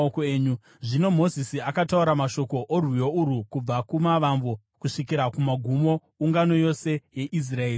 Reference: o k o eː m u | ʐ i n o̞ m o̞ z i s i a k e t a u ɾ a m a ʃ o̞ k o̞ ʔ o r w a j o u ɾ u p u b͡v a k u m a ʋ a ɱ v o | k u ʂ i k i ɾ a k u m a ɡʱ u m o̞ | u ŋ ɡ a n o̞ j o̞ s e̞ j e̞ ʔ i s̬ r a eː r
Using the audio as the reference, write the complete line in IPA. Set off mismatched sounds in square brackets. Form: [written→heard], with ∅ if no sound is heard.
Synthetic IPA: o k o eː [m→ɲ] u | ʐ i n o̞ m o̞ z i s i a k [e→a] t a u ɾ a m a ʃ o̞ k o̞ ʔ o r w [a→i] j o u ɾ u [p→k] u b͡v a k u m a ʋ a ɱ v o | k u ʂ i k i ɾ a k u m a ɡʱ u m o̞ | u ŋ ɡ a n o̞ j o̞ s e̞ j e̞ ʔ i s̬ r a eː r